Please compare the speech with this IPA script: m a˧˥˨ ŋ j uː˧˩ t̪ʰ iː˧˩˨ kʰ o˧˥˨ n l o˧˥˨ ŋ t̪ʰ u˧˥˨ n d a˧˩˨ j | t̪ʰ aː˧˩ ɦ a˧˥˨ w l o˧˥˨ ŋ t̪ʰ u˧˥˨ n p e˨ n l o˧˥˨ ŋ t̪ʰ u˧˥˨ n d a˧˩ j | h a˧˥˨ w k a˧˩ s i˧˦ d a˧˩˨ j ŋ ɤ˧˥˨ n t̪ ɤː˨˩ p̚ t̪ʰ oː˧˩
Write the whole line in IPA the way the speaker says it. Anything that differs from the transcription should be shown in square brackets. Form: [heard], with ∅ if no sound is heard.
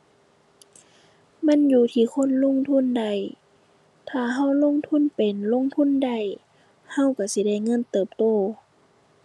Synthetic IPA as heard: m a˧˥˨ [n] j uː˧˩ t̪ʰ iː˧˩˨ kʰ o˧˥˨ n l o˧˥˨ ŋ t̪ʰ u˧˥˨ n d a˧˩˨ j | t̪ʰ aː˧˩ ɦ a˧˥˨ w l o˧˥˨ ŋ t̪ʰ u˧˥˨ n p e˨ n l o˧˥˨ ŋ t̪ʰ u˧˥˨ n d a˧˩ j | h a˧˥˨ w k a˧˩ s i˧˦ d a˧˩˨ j ŋ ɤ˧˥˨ n t̪ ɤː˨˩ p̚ [t̪] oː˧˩